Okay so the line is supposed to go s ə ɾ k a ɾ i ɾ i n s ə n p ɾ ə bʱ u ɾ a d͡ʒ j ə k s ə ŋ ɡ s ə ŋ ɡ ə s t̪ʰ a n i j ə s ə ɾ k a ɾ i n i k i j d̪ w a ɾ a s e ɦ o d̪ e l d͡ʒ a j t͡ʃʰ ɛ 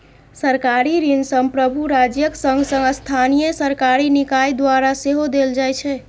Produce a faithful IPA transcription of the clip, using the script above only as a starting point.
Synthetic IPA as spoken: s ə ɾ k a ɾ i ɾ i n s ə m p ɾ ə bʱ u ɾ a d͡ʒ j ə k s ə ŋ ɡ s ə ŋ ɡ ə s t̪ʰ a n i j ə s ə ɾ k a ɾ i n i k a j d̪ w a ɾ a s e ɦ o d̪ e l d͡ʒ a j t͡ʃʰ ɛ